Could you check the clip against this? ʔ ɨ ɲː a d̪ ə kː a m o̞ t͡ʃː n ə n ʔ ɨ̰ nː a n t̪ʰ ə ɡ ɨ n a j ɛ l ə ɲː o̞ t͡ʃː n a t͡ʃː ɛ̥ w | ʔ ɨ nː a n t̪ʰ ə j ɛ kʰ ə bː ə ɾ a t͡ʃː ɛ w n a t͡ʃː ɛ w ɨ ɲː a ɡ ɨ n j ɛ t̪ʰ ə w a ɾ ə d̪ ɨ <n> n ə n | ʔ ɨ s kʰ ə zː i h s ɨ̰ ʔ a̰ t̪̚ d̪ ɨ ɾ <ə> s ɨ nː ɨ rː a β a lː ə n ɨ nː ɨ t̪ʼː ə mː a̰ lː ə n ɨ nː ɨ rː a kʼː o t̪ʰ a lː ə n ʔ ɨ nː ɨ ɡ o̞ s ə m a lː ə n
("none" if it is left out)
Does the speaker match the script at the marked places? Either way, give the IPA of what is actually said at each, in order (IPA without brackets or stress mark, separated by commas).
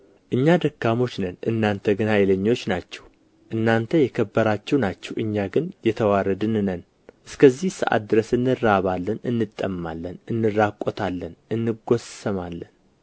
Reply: n, ə